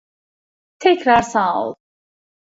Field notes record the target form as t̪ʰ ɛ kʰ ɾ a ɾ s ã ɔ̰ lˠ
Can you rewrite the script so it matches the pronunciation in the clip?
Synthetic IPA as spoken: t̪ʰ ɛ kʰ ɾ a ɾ s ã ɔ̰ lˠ